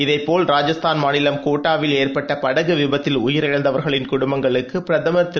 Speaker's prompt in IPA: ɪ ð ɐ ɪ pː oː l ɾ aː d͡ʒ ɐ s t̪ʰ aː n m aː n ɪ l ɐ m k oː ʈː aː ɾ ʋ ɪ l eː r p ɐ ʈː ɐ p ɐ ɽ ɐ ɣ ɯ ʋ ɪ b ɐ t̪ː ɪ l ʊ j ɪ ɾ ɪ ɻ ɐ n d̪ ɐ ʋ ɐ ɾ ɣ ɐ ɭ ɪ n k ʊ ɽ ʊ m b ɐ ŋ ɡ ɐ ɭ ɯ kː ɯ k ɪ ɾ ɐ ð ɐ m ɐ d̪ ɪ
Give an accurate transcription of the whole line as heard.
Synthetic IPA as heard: ɪ ð ɐ ɪ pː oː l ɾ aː d͡ʒ ɐ s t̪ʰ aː n m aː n ɪ l ɐ m k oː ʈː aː ʋ ɪ l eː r p ɐ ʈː ɐ p ɐ ɽ ɐ ɣ ɯ ʋ ɪ b ɐ t̪ː ɪ l ʊ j ɪ ɾ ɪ ɻ ɐ n d̪ ɐ ʋ ɐ ɾ ɣ ɐ ɭ ɪ n k ʊ ɽ ʊ m b ɐ ŋ ɡ ɐ ɭ ɯ kː ɯ p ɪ ɾ ɐ ð ɐ m ɐ t̪ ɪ